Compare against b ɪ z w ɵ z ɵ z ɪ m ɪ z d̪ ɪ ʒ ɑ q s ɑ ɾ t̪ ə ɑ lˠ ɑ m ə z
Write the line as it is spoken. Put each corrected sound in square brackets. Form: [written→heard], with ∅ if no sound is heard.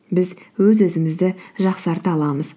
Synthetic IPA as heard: b ɪ z w ɵ z ɵ z ɪ m ɪ z d̪ ɪ ʒ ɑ q s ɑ ɾ t̪ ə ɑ lˠ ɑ m ə z